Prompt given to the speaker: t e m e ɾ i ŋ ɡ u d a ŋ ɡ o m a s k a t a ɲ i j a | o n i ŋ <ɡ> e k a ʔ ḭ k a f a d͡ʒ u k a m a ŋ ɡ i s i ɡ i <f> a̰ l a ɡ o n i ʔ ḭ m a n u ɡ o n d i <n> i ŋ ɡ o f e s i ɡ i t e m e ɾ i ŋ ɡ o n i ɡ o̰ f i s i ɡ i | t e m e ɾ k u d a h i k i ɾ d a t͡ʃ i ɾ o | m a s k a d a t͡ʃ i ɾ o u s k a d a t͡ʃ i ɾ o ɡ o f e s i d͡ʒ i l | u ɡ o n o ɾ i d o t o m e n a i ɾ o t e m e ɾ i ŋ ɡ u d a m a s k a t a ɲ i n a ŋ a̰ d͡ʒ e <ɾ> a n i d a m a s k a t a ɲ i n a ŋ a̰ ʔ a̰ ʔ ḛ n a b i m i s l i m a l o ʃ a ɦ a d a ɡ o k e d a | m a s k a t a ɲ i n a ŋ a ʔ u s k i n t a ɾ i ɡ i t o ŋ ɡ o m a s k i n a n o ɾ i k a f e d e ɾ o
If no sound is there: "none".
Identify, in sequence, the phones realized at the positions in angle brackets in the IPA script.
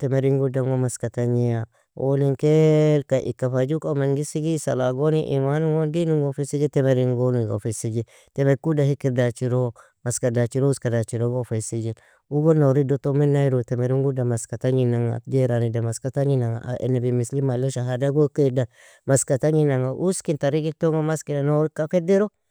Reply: k, s, n, ɾ

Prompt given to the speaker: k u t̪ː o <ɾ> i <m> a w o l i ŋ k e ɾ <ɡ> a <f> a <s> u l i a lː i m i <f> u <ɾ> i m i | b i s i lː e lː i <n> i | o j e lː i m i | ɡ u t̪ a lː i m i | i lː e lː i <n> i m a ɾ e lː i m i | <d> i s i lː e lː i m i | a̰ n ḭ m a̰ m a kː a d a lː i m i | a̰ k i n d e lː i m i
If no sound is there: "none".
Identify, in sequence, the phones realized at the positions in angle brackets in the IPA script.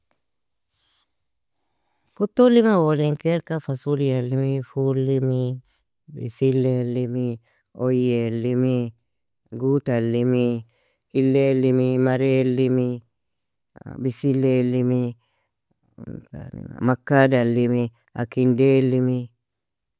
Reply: l, m, k, f, s, f, l, m, m, b

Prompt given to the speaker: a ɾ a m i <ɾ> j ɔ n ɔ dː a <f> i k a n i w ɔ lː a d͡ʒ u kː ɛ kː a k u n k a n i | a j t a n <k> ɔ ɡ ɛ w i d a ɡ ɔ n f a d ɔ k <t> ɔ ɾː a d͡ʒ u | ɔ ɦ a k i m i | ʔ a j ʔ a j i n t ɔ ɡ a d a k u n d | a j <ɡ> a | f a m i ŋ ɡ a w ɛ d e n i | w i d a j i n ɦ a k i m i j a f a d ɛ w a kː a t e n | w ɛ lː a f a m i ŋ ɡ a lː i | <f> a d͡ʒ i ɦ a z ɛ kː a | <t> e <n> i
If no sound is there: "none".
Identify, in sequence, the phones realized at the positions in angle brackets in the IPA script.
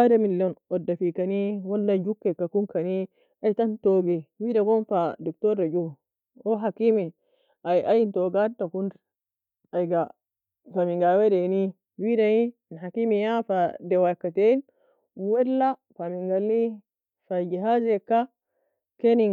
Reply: l, f, t, t, ɡ, f, k, n

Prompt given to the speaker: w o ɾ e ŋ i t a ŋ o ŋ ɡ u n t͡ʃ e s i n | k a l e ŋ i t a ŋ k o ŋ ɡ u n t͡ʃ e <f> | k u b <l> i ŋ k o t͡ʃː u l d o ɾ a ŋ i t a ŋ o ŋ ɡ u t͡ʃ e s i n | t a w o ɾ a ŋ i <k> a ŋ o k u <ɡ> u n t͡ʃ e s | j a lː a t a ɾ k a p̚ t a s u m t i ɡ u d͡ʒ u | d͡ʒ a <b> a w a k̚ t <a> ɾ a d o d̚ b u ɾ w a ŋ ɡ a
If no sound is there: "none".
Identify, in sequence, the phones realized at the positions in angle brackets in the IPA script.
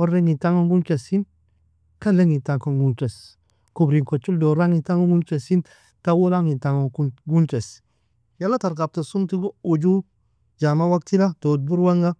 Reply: s, ɾ, t, ɡ, m, i

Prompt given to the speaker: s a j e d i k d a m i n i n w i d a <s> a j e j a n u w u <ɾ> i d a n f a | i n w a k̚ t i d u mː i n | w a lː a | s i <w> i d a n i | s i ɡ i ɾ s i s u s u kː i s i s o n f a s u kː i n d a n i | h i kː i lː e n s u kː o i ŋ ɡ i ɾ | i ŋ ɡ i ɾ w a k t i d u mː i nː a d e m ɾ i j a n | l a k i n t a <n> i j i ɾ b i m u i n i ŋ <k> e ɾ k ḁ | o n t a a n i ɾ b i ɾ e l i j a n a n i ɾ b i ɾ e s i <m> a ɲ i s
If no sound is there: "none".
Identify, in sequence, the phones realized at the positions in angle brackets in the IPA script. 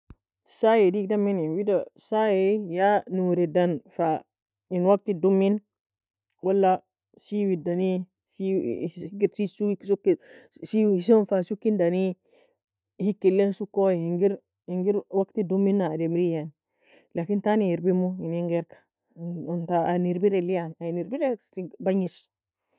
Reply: s, ɾ, w, n, ɡ, b

